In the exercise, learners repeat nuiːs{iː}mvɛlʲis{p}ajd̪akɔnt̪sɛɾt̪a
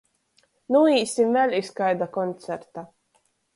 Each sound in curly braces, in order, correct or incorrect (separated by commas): incorrect, incorrect